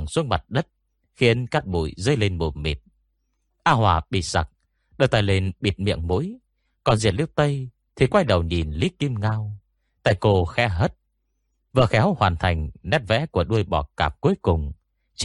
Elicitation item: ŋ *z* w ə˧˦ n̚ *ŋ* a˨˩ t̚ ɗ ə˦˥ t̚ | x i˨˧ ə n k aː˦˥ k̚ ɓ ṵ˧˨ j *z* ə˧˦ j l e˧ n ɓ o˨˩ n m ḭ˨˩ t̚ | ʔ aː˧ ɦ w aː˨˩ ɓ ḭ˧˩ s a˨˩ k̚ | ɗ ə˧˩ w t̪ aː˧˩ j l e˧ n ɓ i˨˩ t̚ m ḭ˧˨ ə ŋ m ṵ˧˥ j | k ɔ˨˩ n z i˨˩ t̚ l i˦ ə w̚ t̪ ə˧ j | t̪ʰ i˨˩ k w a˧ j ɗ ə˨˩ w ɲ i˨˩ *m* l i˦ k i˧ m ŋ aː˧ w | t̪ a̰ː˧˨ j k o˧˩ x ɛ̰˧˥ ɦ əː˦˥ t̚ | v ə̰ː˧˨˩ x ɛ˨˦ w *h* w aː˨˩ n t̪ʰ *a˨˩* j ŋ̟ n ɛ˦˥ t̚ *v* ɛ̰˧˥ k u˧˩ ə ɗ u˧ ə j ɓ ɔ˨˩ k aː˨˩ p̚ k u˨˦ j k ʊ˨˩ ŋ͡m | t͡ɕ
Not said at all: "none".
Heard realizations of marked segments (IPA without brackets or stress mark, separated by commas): s, m, z, n, h, a˨˩, v